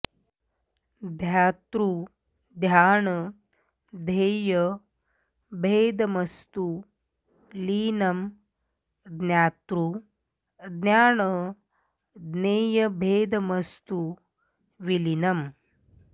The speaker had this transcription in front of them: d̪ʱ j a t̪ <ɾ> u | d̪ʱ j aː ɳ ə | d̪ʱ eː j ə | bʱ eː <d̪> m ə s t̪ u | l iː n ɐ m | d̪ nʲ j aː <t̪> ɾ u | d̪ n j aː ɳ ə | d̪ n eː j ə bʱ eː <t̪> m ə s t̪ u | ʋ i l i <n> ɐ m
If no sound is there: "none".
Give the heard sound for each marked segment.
ɾ, d̪, t̪, d̪, n

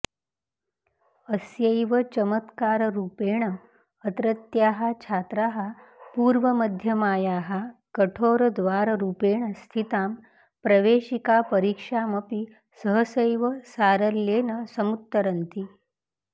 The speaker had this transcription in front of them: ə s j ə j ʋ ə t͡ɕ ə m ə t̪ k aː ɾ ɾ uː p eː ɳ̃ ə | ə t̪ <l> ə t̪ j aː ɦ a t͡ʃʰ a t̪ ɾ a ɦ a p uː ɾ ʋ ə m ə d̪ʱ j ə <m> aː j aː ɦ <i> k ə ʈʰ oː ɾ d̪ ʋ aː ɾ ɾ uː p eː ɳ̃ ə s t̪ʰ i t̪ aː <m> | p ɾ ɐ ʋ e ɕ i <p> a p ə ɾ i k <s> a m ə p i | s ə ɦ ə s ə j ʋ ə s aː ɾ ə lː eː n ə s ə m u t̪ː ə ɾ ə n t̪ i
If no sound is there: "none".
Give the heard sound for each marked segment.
ɾ, m, a, m, k, ʂ

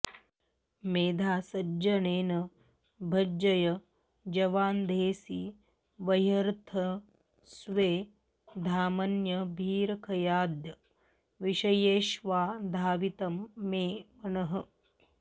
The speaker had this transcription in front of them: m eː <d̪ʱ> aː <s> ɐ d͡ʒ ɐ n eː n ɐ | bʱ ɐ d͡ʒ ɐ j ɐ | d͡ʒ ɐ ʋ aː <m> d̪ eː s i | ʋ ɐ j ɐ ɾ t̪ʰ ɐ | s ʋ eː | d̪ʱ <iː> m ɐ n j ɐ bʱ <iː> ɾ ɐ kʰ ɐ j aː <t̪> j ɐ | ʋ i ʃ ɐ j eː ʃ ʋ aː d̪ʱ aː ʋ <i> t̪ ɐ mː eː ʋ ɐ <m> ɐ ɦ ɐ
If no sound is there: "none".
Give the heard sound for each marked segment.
d̪ʱ, s, n, aː, iː, d̪, i, n

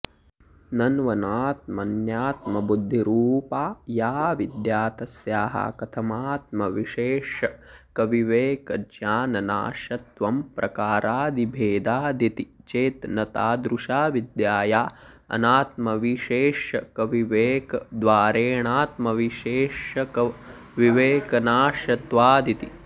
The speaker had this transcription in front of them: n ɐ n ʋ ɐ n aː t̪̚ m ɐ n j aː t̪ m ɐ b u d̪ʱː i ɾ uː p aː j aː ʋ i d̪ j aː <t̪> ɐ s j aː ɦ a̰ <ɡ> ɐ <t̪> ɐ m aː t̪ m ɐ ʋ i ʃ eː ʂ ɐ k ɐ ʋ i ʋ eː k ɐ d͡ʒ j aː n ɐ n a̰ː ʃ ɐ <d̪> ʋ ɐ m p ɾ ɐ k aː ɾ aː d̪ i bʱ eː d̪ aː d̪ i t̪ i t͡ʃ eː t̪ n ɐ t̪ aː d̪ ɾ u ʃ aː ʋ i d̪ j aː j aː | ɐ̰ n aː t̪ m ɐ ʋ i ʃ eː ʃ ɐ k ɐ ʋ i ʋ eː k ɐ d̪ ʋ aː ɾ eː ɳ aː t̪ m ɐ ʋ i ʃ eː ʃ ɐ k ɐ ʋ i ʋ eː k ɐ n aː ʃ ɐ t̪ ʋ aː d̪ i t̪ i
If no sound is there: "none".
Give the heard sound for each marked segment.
t̪, k, t̪ʰ, t̪

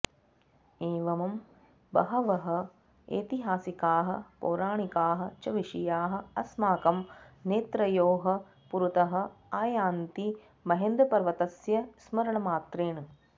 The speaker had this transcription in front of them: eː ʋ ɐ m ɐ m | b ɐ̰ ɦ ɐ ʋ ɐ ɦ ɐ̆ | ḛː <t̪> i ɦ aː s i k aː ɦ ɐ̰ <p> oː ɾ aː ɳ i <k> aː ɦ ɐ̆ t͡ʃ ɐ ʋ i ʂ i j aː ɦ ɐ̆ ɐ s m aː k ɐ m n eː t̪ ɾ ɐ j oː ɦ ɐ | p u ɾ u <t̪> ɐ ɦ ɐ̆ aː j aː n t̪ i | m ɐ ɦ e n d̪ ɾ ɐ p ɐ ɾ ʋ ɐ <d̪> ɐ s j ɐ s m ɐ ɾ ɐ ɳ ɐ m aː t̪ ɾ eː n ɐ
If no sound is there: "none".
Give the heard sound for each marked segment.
t̪, p, k, t̪, t̪

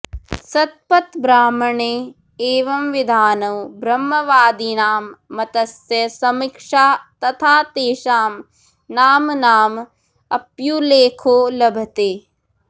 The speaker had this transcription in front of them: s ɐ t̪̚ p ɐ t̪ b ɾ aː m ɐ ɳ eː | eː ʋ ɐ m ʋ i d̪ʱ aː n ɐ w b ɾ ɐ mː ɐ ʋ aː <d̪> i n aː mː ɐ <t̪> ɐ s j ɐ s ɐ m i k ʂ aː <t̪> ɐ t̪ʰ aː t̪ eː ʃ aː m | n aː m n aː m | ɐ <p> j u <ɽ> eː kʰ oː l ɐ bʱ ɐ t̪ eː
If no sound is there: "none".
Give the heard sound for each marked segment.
d̪, t̪, t̪, p, l

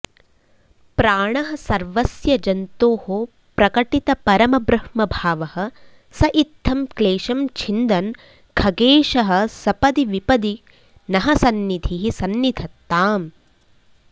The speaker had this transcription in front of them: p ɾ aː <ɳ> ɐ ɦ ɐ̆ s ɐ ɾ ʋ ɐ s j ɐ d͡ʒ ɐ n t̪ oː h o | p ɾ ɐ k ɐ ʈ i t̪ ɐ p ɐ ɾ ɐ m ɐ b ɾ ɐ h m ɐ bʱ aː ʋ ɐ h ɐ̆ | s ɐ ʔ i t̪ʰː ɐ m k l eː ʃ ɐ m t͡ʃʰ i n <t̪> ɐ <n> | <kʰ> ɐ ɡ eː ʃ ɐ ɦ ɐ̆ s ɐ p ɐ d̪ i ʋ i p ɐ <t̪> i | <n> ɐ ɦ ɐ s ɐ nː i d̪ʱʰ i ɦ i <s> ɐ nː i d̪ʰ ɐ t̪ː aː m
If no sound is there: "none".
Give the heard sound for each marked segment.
ɳ, d̪, n, kʰ, d̪, n, s

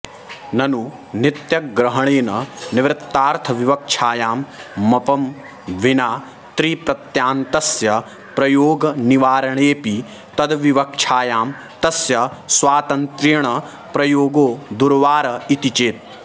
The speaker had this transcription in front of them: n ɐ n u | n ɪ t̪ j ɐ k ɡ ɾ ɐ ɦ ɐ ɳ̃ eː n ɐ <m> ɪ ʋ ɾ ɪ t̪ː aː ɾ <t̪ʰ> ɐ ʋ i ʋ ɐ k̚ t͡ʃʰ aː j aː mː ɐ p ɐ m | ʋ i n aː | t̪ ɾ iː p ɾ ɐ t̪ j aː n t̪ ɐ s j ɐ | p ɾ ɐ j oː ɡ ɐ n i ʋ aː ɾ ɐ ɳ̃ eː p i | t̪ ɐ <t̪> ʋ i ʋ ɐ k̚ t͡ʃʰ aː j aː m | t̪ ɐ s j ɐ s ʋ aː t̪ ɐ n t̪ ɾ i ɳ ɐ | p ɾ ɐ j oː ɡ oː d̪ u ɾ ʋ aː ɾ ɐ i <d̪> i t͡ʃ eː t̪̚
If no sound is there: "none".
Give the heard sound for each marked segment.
n, t̪ʰ, d̪, t̪

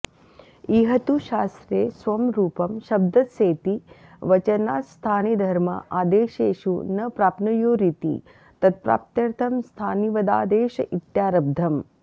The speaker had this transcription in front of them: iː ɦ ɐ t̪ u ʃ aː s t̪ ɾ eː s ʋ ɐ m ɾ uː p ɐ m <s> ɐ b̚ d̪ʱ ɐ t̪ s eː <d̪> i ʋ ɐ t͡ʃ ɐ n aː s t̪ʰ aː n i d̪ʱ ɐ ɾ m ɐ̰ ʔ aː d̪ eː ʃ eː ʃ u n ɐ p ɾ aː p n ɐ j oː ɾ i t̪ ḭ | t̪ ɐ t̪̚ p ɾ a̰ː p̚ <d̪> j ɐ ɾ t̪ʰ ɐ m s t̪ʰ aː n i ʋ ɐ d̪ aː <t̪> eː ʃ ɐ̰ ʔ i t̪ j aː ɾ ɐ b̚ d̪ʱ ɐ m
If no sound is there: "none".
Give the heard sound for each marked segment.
ʃ, t̪, t̪, d̪

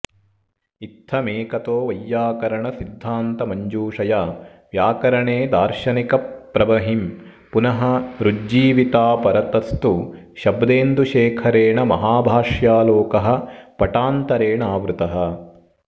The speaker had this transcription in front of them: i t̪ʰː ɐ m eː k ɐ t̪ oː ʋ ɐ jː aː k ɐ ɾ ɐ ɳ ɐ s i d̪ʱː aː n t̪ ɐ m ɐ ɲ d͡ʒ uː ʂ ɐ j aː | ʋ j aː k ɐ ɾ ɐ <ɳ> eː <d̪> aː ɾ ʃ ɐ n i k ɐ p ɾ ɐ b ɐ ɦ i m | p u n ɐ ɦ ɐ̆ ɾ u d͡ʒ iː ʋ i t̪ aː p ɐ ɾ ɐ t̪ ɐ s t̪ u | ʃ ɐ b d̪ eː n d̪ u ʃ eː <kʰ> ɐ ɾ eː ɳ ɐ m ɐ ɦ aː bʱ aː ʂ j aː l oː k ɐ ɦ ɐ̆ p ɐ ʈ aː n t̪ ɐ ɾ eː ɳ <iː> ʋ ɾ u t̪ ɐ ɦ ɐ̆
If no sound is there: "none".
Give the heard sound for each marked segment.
ɳ, d̪, kʰ, aː

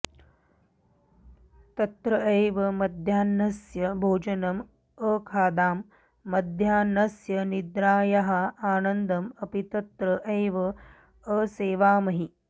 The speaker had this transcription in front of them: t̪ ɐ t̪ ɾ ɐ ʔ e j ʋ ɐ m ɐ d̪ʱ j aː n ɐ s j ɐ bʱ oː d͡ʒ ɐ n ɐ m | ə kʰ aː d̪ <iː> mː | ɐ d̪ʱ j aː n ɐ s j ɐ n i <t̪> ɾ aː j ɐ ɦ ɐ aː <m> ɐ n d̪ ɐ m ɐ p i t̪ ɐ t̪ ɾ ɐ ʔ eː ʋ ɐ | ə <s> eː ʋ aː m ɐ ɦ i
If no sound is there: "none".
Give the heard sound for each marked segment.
aː, d̪, n, s

